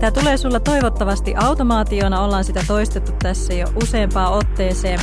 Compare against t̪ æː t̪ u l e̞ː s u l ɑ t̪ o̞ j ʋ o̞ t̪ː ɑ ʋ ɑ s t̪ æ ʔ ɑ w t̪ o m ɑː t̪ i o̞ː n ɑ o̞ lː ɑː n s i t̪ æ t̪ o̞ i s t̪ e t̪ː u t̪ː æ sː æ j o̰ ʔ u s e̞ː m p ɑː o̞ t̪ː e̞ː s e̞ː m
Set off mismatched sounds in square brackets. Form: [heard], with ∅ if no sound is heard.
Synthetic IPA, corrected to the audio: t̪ [æ] t̪ u l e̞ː s u [lː] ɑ t̪ o̞ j ʋ o̞ t̪ː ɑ ʋ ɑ s t̪ [i] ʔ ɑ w t̪ o m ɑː t̪ i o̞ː n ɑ o̞ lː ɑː n s i t̪ æ t̪ o̞ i s t̪ e t̪ː u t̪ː æ sː æ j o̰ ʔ u s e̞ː m p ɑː o̞ t̪ː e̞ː s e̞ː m